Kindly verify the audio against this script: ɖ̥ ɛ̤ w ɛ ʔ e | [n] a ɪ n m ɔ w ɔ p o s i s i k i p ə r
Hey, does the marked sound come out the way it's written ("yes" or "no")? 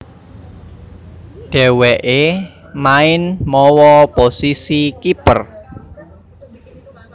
no